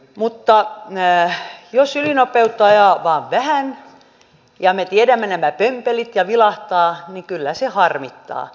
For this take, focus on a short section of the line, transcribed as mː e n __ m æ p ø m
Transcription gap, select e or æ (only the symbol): æ